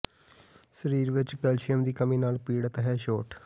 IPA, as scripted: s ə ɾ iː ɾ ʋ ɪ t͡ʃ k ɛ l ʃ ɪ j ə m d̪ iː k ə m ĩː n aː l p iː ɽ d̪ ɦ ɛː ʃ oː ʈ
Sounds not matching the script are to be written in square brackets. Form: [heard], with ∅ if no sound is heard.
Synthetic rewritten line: s ə ɾ iː ɾ ʋ ɪ t͡ʃ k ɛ l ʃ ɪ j ə m d̪ iː k ə m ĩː n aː l p iː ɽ [t̪] ɦ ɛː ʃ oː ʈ